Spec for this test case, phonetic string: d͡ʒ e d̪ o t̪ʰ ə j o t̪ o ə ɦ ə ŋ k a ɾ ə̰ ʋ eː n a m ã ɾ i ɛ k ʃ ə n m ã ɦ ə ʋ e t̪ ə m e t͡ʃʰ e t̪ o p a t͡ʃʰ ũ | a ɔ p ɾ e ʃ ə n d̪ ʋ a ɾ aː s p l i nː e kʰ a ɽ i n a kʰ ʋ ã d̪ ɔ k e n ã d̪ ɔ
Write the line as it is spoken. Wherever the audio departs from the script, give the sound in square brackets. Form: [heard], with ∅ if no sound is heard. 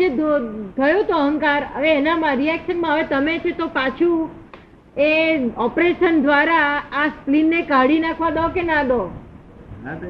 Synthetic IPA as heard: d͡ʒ e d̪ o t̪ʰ ə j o t̪ o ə ɦ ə ŋ k a ɾ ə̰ ʋ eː n a m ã ɾ i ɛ k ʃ ə n m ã ɦ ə ʋ e t̪ ə m e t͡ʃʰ e t̪ o p a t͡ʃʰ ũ | [e] ɔ p ɾ e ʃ ə n d̪ ʋ a ɾ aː s p l i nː e [k] a ɽ i n a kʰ ʋ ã d̪ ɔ k e n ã d̪ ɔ